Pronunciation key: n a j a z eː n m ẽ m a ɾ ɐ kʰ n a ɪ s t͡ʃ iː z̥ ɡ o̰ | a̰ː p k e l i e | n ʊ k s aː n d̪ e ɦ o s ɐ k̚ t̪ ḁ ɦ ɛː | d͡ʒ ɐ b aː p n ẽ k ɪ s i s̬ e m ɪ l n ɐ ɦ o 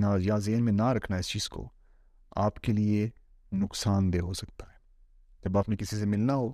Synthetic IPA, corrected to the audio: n a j a z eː n m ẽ n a ɾ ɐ kʰ n a ɪ s t͡ʃ iː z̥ k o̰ | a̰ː p k e l i e | n ʊ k s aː n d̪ e ɦ o s ɐ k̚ t̪ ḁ ɦ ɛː | d͡ʒ ɐ b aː p n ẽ k ɪ s i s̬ e m ɪ l n a ɦ o